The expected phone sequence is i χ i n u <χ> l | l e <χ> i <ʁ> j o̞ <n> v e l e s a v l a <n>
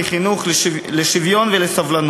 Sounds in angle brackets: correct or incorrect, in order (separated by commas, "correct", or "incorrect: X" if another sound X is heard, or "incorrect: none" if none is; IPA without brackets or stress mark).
correct, incorrect: ʃ, incorrect: v, correct, correct